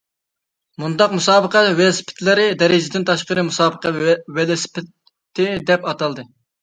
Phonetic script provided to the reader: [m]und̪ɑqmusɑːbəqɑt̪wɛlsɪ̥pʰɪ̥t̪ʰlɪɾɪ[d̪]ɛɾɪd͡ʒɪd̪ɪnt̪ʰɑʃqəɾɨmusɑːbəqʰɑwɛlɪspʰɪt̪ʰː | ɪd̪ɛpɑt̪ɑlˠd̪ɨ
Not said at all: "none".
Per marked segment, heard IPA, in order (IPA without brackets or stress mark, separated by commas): m, d̪